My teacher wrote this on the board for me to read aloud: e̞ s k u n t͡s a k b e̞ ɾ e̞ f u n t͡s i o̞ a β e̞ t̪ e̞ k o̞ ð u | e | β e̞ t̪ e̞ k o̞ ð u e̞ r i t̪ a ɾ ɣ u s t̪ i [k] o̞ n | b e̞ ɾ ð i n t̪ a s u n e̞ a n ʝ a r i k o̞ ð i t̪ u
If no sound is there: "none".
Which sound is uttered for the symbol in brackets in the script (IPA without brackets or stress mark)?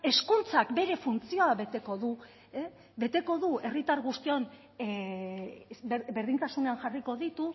none